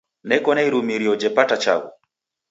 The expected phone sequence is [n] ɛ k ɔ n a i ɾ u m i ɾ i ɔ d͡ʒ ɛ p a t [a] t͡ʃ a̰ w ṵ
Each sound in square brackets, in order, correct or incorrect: correct, correct

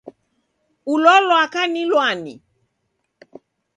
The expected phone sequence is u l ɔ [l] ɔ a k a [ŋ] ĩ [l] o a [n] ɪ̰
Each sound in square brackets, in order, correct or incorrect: correct, incorrect: n, correct, correct

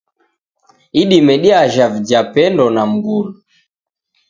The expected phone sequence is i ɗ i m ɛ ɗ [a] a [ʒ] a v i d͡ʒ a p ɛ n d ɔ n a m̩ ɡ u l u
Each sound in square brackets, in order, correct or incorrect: incorrect: i, correct

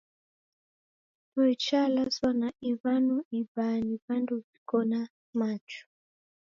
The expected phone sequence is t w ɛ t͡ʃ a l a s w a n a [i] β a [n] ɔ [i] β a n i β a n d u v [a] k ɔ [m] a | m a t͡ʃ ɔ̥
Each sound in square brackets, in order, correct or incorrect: correct, correct, correct, incorrect: i, incorrect: n

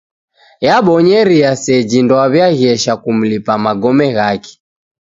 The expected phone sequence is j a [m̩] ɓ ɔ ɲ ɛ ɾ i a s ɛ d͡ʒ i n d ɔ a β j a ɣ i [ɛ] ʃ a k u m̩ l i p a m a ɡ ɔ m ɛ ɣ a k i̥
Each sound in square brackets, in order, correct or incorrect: incorrect: none, correct

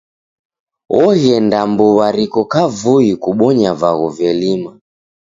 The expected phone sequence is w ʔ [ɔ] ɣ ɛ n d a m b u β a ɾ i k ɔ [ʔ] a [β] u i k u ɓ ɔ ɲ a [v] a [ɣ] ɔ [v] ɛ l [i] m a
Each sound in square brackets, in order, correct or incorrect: correct, incorrect: k, incorrect: v, correct, correct, correct, correct

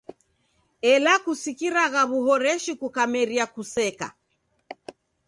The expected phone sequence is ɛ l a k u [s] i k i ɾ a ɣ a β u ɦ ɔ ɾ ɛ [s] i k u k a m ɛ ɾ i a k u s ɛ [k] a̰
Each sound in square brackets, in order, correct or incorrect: correct, incorrect: ʃ, correct

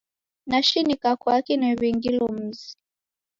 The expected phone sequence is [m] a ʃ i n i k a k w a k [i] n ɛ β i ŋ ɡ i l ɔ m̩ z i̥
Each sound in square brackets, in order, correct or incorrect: incorrect: n, correct

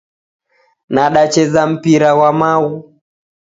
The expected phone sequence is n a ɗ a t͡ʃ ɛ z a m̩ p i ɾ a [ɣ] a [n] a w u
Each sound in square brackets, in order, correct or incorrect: incorrect: w, incorrect: m

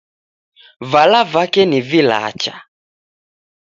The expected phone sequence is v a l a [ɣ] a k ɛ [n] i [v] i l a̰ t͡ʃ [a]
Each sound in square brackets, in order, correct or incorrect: incorrect: v, correct, correct, correct

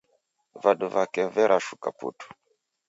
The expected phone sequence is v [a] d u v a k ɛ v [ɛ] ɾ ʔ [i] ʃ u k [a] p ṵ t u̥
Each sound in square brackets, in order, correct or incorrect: correct, correct, incorrect: a, correct

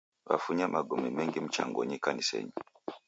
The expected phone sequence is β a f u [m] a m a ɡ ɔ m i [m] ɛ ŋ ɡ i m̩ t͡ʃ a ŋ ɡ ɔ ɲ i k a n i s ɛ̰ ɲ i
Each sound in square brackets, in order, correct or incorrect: incorrect: ɲ, correct

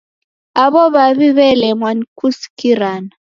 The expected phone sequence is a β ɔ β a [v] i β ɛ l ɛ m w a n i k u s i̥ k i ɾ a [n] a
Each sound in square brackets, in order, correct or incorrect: incorrect: β, correct

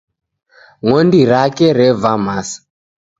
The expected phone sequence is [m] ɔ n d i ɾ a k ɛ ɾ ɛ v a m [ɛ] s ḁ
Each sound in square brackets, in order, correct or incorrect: incorrect: ŋ, incorrect: a

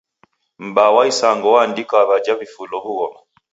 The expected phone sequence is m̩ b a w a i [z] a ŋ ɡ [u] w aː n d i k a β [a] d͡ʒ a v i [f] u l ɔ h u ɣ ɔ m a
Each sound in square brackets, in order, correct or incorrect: incorrect: s, incorrect: ɔ, correct, correct

